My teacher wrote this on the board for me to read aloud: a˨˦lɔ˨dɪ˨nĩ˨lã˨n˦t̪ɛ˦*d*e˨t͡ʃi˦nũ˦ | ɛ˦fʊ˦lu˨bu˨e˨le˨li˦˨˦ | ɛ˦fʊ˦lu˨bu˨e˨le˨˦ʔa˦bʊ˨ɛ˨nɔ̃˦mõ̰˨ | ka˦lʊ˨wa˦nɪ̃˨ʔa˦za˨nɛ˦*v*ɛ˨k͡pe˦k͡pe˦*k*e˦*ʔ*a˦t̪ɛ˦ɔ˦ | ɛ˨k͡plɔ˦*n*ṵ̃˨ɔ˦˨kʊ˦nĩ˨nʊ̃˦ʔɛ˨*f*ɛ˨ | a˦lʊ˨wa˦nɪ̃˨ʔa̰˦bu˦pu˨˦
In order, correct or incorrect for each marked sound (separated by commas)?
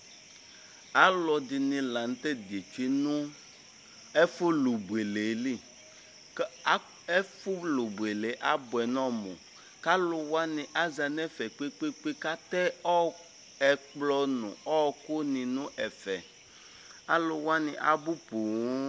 correct, incorrect, incorrect, incorrect, correct, correct